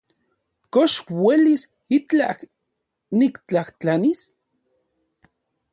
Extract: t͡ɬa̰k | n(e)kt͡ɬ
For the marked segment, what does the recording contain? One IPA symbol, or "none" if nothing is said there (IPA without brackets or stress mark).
i